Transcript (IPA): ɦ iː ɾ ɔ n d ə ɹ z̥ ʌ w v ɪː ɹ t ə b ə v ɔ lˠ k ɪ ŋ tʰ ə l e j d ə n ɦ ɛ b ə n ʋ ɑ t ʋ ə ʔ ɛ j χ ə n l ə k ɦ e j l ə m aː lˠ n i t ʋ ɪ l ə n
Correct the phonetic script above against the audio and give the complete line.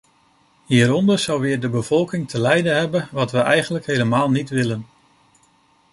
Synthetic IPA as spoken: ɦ iː ɾ ɔ n d ə ɹ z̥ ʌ w ʋ ɪː ɹ d ə b ə v ɔ lˠ k ɪ ŋ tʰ ə l ɛ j d ə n ɦ ɛ b ə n ʋ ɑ t ʋ ə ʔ ɛ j χ ə n l ə k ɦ e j l ə m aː lˠ n i t ʋ ɪ l ə n